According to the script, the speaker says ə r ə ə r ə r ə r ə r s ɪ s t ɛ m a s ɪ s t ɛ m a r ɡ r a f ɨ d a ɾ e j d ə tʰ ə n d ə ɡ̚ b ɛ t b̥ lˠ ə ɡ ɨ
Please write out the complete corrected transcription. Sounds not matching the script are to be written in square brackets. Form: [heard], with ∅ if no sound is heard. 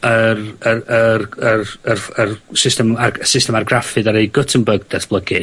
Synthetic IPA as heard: ə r ə ə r ə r ə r ə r s ɪ s t ɛ m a s ɪ s t ɛ m a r ɡ r a f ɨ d a ɾ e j [ɡ] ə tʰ ə n [b] ə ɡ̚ [d] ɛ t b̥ lˠ ə ɡ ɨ

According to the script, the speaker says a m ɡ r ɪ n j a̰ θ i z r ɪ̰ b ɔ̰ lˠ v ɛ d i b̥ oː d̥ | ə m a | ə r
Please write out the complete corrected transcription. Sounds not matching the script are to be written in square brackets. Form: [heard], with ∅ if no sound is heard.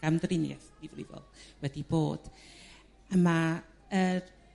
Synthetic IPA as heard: a m [d] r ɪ n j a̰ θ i [v] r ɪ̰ [v] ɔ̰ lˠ [w] ɛ d i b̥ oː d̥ | ə m a | ə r

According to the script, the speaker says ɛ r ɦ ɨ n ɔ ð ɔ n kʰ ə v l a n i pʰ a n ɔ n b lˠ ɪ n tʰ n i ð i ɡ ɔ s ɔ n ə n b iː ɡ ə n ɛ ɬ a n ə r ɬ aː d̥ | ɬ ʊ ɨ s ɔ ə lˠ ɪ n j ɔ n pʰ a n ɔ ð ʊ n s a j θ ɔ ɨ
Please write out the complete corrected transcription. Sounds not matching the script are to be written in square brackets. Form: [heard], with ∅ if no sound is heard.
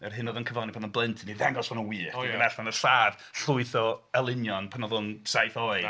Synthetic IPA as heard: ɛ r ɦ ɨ n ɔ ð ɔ n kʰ ə v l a n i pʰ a n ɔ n b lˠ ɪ n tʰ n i ð [ɛ] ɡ ɔ s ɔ n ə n [w] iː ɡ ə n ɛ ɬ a n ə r ɬ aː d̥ | ɬ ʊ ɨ [θ] ɔ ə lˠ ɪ n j ɔ n pʰ a n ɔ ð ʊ n s a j θ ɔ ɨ

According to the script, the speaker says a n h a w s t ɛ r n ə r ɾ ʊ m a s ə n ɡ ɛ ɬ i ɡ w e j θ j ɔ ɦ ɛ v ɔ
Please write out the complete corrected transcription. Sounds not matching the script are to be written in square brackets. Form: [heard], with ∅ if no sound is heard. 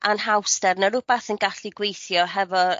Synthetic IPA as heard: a n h a w s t ɛ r n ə [∅] ɾ ʊ [b] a [θ] ə n ɡ [a] ɬ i ɡ w e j θ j ɔ ɦ ɛ v ɔ

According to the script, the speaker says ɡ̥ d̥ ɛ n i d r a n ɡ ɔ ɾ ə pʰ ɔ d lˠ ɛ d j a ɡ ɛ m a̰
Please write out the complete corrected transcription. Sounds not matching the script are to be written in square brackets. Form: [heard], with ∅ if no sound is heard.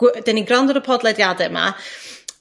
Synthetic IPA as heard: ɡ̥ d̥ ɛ n i [ɡ] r a n [d] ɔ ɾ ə pʰ ɔ d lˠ ɛ d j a [d] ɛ m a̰

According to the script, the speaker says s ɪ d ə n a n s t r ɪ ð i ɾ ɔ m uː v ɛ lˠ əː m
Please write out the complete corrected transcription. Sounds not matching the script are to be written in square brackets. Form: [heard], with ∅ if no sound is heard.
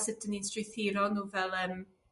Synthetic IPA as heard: s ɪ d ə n [i] n s t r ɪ [θ] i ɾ ɔ [n] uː v ɛ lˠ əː m

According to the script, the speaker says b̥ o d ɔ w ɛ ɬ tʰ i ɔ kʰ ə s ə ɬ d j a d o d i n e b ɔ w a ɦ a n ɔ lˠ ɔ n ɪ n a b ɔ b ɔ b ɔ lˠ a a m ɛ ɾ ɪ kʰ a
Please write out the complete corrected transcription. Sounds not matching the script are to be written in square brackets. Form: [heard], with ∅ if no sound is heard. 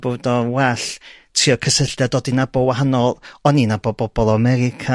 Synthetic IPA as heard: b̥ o d ɔ w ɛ ɬ tʰ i ɔ kʰ ə s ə ɬ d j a d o d i n [a] b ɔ w a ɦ a n ɔ lˠ ɔ n [i] n a b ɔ b ɔ b ɔ lˠ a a m ɛ ɾ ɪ kʰ a

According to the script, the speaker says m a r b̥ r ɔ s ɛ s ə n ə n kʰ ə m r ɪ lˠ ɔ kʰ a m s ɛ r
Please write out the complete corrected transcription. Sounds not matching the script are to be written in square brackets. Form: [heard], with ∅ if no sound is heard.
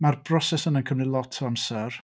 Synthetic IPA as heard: m a r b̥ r ɔ s ɛ s ə n ə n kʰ ə m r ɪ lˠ ɔ [tʰ] a m s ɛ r

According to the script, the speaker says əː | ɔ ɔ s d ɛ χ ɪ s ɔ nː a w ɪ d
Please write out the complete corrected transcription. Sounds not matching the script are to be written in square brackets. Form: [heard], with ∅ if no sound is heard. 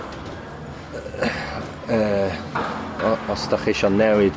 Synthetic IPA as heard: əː | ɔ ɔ s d [a] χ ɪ [ʃ] ɔ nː [ɛ] w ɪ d

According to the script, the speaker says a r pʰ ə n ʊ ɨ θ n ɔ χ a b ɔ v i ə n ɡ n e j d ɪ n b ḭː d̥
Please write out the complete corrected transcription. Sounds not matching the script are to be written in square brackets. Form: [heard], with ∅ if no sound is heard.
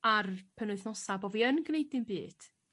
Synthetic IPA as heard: a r pʰ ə n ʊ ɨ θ n ɔ [s] a b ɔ v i ə n ɡ n e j d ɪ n b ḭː d̥

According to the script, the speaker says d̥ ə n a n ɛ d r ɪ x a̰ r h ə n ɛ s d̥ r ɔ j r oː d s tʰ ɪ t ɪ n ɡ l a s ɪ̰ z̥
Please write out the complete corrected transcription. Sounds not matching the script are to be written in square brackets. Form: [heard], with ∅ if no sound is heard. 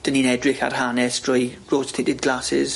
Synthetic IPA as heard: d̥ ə n [i] n ɛ d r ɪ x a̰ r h [a] n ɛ s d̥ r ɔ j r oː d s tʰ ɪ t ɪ [d] ɡ l a s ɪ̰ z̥

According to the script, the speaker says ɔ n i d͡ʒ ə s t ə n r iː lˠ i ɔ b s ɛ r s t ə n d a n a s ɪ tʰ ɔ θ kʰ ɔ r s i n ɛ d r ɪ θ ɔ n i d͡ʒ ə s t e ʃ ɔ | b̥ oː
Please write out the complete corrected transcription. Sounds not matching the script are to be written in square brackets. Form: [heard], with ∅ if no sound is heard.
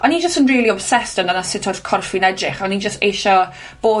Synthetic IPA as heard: ɔ n i d͡ʒ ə s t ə n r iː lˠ i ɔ b s ɛ [∅] s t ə n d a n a s ɪ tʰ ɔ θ kʰ ɔ r [f] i n ɛ d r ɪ [χ] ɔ n i d͡ʒ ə s t e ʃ ɔ | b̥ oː

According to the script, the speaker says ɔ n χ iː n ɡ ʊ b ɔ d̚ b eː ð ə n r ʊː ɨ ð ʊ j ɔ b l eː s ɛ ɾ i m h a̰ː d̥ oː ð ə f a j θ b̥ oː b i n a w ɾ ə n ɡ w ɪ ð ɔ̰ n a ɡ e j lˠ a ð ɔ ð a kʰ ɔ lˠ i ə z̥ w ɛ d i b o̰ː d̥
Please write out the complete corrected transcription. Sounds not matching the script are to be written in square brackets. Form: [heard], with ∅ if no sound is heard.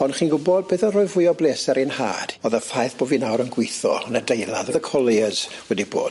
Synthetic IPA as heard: ɔ n χ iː n ɡ ʊ b ɔ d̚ b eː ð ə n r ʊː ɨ [v] ʊ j ɔ b l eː s ɛ ɾ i [n] h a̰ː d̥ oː ð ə f a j θ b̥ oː [v] i n a w ɾ ə n ɡ w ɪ [θ] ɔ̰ n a [d] e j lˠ a ð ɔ ð [ə] kʰ ɔ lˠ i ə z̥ w ɛ d i b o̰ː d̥

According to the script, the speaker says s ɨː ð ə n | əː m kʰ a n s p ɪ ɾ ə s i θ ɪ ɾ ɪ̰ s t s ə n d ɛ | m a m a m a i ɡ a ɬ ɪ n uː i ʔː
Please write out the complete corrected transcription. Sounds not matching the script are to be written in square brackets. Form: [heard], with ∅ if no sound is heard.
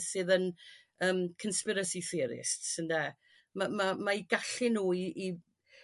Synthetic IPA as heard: s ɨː ð ə n | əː m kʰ [ə] n s p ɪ ɾ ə s i θ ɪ ɾ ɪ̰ s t s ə n d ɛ | m a m a m a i ɡ a ɬ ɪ n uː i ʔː

